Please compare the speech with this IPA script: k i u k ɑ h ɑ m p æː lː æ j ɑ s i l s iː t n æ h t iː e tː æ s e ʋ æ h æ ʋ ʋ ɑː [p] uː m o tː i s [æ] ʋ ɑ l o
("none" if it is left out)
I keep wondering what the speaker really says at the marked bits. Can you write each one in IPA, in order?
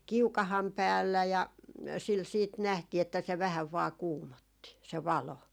k, e

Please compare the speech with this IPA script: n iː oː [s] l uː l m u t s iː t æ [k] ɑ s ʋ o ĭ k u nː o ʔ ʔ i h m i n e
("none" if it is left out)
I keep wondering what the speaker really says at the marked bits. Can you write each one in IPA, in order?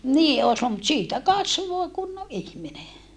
s, k

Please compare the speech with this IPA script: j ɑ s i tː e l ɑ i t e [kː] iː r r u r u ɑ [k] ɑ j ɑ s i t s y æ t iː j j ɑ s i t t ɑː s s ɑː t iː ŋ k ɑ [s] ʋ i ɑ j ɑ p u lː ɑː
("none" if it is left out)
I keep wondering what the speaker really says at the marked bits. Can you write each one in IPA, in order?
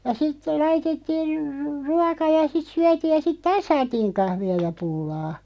tː, k, h

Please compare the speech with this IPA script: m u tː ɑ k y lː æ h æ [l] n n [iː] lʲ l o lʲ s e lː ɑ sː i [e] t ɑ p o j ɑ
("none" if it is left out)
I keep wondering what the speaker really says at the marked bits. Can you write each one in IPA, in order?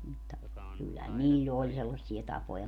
none, iː, e

